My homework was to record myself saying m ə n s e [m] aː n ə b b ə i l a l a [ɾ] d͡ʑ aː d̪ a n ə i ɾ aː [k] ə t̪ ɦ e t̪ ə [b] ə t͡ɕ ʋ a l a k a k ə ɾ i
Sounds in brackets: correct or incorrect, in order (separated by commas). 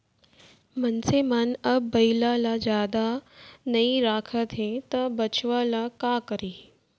correct, incorrect, incorrect, correct